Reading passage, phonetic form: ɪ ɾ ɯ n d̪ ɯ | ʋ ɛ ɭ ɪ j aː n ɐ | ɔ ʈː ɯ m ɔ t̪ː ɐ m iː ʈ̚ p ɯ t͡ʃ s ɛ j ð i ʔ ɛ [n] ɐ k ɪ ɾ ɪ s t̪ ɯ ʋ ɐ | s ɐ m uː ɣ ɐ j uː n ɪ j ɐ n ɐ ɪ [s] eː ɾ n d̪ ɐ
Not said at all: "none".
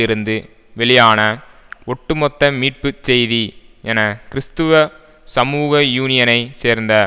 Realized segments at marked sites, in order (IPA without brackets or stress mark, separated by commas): n, s